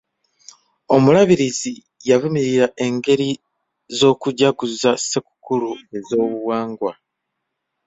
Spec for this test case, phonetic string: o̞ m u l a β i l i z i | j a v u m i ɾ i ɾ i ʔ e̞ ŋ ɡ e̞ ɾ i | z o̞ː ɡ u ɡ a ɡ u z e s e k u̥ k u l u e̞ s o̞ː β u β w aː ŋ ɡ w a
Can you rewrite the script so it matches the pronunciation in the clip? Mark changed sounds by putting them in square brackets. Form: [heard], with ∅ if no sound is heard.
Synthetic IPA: o̞ m u l a β i [ɾ] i z i | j a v u m i ɾ i ɾ [a] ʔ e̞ ŋ ɡ e̞ ɾ i | z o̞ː [k] u [ɟ] a ɡ u z [a] s e k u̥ k u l u e̞ [z] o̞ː β u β w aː ŋ ɡ w a